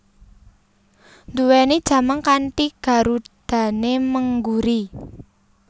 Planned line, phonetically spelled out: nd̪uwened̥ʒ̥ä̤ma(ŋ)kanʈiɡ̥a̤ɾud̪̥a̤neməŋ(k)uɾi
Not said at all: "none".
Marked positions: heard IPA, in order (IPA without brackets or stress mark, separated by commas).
ŋ, ɡ